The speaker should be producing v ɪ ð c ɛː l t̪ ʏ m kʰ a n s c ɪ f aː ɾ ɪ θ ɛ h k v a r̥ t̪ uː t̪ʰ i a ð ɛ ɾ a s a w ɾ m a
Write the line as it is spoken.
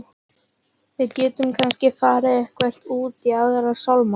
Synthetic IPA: v ɪ ð c ɛː t̪ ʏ m kʰ a n s c ɪ f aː ɾ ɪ ð ɛ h k v ɛ r̥ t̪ uː t̪ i a ð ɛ ɾ a s a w l m a